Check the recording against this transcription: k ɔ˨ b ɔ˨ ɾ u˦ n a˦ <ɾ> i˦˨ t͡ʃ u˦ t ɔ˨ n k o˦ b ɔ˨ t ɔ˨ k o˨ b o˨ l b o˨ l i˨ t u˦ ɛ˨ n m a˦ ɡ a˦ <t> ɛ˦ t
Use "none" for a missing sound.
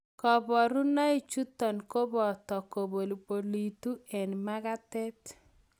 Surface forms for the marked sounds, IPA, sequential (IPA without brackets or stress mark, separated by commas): none, t